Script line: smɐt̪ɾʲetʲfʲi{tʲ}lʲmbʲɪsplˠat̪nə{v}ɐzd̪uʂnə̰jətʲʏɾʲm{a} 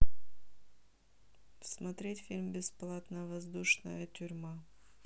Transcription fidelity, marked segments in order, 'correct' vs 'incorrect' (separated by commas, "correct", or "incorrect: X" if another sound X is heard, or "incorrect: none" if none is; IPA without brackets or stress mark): incorrect: none, correct, correct